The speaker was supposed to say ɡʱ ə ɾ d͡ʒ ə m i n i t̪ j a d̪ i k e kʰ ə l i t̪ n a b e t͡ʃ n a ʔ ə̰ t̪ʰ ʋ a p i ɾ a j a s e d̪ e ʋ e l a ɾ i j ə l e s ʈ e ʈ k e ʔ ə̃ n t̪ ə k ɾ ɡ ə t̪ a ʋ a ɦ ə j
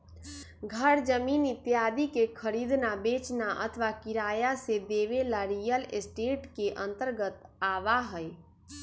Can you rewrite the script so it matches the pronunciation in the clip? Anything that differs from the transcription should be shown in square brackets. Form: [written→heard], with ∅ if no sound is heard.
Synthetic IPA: ɡʱ ə ɾ d͡ʒ ə m i n i t̪ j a d̪ i k e kʰ ə [l→ɾ] i [t̪→d̪] n a b e t͡ʃ n a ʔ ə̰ t̪ʰ ʋ a [p→k] i ɾ a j a s e d̪ e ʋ e l a ɾ i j ə l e s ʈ e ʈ k e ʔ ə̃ n t̪ ə [k→∅] ɾ ɡ ə t̪ a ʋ a ɦ ə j